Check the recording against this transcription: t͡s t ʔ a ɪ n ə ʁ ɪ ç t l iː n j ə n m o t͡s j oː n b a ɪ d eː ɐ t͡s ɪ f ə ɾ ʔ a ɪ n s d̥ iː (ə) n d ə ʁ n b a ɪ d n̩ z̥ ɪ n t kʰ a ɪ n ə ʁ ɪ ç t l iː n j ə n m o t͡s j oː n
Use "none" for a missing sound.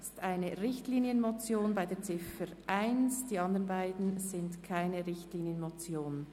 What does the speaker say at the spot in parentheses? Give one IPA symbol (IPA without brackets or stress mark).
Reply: ɑ